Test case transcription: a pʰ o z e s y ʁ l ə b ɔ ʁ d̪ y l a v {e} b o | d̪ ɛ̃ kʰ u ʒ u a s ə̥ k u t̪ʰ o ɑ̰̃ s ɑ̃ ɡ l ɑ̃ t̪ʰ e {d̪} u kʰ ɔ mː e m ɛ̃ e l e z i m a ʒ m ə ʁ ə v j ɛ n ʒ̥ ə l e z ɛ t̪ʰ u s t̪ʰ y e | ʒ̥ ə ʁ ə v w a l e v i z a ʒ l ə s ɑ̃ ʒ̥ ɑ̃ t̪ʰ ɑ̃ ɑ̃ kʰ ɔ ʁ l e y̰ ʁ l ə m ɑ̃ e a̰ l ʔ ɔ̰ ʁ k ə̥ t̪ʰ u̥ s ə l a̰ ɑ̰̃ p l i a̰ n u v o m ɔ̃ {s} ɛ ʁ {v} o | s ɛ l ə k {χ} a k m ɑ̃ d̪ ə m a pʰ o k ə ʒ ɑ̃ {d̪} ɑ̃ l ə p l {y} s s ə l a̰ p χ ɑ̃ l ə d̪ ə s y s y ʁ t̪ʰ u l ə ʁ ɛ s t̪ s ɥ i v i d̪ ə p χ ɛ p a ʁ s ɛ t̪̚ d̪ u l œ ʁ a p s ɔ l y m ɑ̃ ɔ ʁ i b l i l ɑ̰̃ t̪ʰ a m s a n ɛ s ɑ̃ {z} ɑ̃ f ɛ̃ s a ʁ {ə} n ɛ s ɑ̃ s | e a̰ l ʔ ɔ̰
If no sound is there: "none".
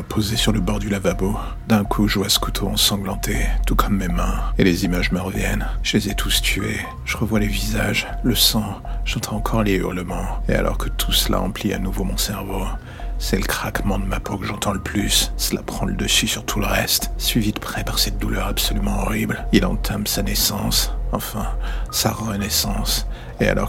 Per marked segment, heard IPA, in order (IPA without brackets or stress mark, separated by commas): a, t̪, s, v, χ, t̪, y, s, ə